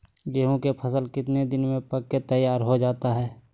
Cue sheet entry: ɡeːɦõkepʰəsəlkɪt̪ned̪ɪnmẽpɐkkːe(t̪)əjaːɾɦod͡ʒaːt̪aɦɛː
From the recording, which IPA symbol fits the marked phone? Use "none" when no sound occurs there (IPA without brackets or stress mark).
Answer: t̪